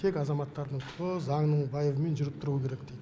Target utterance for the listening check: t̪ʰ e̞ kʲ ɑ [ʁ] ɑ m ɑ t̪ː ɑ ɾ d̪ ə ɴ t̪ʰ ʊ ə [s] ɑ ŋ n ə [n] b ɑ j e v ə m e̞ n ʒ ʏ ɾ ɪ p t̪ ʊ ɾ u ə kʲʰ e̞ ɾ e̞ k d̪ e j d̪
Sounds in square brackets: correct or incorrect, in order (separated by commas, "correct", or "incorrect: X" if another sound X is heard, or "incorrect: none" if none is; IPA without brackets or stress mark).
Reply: incorrect: z, incorrect: z, incorrect: ɴ